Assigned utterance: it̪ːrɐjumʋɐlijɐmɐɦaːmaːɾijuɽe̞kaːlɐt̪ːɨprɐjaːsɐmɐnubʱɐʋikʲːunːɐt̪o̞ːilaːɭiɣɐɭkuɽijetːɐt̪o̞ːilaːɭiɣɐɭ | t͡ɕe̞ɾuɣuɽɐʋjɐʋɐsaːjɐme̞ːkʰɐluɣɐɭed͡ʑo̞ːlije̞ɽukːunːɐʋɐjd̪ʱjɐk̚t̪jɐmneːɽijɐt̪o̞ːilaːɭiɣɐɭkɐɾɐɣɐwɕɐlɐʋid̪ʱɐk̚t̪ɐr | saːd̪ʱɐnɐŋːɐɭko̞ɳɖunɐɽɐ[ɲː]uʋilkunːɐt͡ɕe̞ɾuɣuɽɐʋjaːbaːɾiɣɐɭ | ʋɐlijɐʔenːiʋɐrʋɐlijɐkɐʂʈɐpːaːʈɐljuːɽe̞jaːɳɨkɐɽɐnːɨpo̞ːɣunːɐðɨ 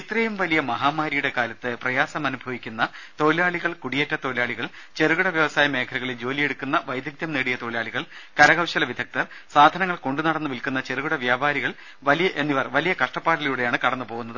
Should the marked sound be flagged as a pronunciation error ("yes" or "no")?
yes